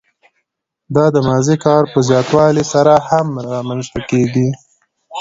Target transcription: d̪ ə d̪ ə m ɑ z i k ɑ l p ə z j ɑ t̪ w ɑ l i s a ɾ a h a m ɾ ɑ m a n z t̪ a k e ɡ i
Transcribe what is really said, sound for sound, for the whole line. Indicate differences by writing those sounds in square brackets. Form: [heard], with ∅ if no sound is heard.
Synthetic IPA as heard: d̪ [ɑ] d̪ ə m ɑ z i k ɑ [ɾ] p ə z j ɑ t̪ w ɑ l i s a ɾ a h a m ɾ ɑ m a n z t̪ a k e ɡ i